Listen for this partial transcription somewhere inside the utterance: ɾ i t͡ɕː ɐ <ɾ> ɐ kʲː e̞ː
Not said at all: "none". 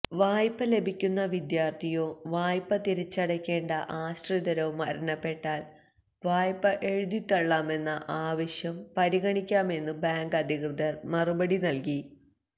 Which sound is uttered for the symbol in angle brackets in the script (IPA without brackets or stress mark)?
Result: ɽ